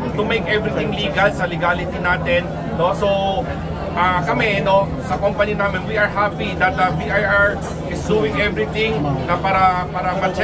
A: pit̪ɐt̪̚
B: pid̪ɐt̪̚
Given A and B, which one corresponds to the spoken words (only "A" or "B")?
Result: B